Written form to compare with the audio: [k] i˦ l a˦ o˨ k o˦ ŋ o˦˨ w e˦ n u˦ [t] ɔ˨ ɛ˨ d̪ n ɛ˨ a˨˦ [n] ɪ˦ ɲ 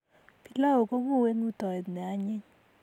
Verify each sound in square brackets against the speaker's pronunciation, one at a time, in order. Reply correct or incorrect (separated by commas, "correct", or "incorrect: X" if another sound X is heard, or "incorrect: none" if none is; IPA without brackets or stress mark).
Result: incorrect: p, correct, incorrect: ɲ